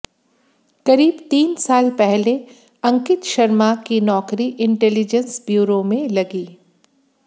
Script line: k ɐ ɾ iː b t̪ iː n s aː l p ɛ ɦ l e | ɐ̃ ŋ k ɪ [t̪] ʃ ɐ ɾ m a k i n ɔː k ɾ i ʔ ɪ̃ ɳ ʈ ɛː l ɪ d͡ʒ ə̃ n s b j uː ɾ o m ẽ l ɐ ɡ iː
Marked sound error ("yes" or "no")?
no